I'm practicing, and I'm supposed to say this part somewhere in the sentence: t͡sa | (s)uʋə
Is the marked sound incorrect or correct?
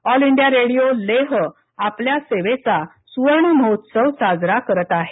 correct